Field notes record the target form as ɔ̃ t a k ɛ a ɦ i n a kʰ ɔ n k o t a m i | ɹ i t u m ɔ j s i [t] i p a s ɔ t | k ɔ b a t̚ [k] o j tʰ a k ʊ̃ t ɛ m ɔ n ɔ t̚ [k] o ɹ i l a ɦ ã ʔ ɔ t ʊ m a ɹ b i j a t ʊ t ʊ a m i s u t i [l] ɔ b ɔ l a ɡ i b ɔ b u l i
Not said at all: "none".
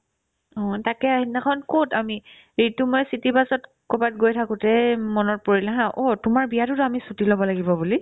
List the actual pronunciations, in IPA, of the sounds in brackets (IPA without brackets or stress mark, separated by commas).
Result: t, ɡ, p, l